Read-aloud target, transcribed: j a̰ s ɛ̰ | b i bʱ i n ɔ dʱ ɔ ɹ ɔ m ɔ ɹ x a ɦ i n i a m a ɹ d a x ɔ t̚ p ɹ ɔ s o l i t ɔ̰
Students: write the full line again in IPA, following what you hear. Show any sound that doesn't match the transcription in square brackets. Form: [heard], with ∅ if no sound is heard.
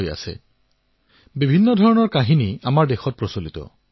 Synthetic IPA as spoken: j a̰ s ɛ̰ | b i bʱ i [nː] ɔ dʱ ɔ ɹ ɔ [n] ɔ ɹ [k] a ɦ i n i a m a ɹ d [e] x ɔ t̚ p ɹ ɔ s o l i t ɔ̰